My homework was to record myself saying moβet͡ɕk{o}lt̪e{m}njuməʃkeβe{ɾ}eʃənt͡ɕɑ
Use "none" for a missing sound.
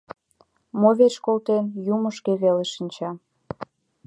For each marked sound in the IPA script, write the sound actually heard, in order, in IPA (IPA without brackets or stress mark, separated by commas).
o, none, l